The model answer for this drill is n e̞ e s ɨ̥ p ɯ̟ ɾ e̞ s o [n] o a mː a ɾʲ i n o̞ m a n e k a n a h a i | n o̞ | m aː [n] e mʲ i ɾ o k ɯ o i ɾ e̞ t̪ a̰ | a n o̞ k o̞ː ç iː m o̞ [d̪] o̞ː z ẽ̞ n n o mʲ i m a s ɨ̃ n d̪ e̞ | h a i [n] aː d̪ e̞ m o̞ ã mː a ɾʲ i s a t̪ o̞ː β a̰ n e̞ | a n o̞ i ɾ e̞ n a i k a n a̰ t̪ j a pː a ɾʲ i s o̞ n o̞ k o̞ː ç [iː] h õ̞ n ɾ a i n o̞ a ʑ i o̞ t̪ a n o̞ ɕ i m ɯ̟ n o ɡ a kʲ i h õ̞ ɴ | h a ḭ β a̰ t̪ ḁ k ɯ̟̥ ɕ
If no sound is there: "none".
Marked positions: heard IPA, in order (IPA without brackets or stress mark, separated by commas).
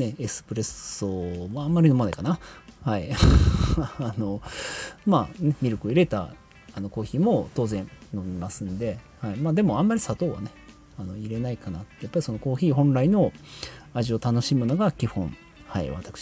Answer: m, n, t̪, m, iː